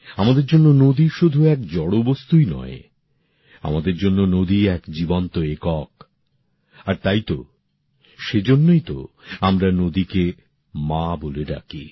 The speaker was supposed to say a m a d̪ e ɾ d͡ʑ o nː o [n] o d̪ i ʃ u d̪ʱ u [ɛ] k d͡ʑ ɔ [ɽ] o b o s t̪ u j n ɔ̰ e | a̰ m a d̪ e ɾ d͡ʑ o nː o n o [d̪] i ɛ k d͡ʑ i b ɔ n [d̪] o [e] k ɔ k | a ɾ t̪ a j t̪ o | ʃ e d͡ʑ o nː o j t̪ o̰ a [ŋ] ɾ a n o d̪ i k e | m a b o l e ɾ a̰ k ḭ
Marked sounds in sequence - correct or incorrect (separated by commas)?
correct, correct, correct, correct, incorrect, correct, incorrect